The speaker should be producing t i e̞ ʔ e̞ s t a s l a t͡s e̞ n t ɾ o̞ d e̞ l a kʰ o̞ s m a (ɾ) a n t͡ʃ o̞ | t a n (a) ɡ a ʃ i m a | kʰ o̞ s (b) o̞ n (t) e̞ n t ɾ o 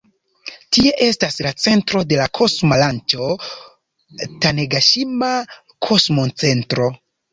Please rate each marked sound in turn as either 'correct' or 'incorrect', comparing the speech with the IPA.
incorrect: l, incorrect: e, incorrect: m, incorrect: t͡s

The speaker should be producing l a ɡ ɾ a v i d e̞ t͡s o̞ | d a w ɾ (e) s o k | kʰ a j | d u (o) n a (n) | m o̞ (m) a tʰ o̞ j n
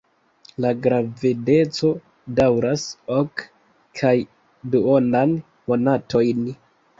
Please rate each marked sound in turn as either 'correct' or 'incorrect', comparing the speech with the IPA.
incorrect: a, correct, correct, incorrect: n

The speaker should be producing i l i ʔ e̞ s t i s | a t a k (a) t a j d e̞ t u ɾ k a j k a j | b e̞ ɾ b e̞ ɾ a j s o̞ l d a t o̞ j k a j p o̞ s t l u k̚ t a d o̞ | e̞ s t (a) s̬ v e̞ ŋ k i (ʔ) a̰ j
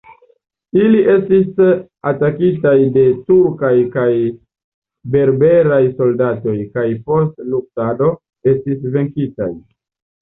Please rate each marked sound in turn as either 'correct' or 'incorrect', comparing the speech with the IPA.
incorrect: i, incorrect: i, incorrect: t

